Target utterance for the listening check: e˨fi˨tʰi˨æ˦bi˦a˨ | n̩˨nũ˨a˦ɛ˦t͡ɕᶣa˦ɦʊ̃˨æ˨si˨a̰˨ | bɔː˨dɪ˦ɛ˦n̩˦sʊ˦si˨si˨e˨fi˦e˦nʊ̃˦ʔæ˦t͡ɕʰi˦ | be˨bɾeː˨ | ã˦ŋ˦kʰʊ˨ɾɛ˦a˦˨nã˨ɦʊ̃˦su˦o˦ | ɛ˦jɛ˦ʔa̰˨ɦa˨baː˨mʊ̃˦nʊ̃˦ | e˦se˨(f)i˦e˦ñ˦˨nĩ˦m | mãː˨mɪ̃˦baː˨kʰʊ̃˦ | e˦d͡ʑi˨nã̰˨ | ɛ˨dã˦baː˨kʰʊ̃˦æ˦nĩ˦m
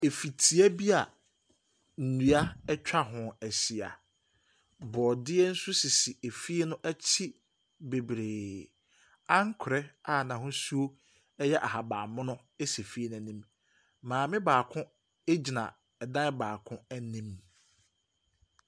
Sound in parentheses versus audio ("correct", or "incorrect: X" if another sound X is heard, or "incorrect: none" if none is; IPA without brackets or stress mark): correct